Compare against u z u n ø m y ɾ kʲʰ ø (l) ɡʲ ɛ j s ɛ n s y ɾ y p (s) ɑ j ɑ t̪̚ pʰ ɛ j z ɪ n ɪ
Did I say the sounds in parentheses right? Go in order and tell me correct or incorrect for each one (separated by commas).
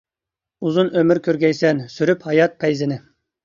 incorrect, incorrect